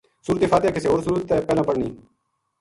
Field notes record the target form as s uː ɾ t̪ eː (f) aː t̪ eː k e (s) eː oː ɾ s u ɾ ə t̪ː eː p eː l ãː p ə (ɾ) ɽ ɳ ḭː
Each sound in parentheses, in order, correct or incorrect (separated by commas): correct, correct, incorrect